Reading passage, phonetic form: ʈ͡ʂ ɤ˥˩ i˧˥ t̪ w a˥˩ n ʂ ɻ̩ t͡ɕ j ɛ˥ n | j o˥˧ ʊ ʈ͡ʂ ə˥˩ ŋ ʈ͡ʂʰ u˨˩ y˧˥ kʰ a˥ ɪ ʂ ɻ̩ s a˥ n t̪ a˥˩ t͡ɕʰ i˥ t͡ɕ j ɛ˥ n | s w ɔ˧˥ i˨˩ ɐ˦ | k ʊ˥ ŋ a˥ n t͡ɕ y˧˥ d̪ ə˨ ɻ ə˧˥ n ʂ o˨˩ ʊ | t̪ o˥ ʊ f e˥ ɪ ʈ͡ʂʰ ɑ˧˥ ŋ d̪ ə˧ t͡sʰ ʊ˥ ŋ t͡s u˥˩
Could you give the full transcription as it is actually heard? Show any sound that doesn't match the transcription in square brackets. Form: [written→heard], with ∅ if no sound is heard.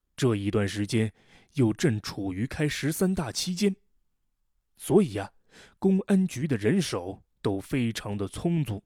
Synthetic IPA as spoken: ʈ͡ʂ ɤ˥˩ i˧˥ t̪ w a˥˩ n ʂ ɻ̩ t͡ɕ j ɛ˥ n | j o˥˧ ʊ ʈ͡ʂ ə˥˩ ŋ ʈ͡ʂʰ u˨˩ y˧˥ kʰ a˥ ɪ ʂ ɻ̩ s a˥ n t̪ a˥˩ t͡ɕʰ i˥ t͡ɕ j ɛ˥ n | s w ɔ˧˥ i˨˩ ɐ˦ | k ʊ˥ ŋ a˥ n t͡ɕ y˧˥ d̪ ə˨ ɻ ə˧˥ n ʂ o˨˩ ʊ | t̪ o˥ ʊ f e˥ ɪ ʈ͡ʂʰ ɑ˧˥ ŋ d̪ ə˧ t͡sʰ ʊ˥ ŋ t͡s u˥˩